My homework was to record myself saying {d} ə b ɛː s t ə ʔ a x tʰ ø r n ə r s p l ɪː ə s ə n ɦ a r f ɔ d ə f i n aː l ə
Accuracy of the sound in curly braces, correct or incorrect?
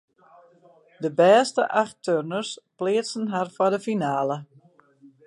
correct